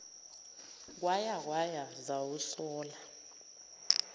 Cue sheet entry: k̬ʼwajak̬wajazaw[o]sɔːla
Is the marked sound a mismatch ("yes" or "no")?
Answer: yes